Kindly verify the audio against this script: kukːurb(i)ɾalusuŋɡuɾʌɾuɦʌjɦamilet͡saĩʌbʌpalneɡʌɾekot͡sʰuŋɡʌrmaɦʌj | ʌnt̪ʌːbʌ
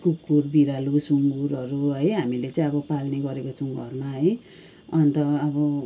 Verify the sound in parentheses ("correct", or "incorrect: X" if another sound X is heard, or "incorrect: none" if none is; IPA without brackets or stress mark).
correct